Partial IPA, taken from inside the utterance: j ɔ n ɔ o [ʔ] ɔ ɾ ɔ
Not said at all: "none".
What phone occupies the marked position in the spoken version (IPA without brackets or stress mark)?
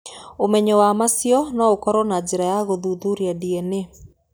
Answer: k